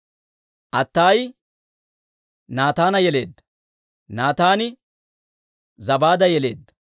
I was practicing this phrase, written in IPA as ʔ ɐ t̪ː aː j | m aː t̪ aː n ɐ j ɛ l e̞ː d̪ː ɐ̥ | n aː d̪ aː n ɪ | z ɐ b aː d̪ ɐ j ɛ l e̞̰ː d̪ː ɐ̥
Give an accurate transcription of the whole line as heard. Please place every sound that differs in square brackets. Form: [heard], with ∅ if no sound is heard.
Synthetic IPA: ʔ ɐ t̪ː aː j | [n] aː t̪ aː n ɐ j ɛ l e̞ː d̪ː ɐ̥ | n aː [t̪] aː n ɪ | z ɐ b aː d̪ ɐ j ɛ l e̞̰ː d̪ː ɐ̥